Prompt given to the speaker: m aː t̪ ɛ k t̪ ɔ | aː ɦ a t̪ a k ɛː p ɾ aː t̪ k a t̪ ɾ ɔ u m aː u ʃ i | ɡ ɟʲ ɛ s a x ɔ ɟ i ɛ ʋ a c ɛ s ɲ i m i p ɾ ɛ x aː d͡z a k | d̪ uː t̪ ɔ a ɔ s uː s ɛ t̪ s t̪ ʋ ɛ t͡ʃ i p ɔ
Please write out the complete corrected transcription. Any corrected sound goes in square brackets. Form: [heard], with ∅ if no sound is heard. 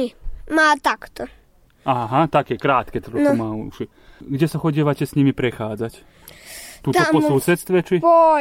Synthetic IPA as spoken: m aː t̪ [a] k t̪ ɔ | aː ɦ a t̪ a k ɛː [k] ɾ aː t̪ k [ɛ] t̪ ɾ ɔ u m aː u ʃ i | ɡ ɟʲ ɛ s a x ɔ ɟ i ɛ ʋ a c ɛ s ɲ i m i p ɾ ɛ x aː d͡z a [c] | [t̪] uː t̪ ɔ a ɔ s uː s ɛ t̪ s t̪ ʋ ɛ t͡ʃ i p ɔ